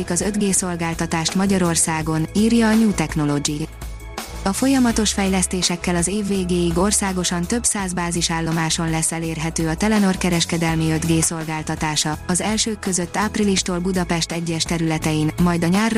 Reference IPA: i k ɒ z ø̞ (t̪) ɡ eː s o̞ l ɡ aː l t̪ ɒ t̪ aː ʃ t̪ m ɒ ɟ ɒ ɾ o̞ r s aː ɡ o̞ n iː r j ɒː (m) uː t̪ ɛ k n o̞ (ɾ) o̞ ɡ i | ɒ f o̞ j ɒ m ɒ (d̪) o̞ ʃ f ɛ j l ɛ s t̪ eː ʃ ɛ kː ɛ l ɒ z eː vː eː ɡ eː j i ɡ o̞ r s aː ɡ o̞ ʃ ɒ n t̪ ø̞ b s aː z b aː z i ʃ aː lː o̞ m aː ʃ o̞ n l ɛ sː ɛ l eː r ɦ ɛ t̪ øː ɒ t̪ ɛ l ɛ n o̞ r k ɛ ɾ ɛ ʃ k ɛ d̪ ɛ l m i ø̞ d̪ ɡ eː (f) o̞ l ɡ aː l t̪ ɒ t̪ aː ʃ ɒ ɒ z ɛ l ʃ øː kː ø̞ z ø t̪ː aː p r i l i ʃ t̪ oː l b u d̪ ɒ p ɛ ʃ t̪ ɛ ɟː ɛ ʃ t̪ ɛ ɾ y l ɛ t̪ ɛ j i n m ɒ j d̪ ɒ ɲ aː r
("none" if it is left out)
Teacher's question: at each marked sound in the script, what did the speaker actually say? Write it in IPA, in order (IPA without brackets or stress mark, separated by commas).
d̪, ɲ, l, t̪, s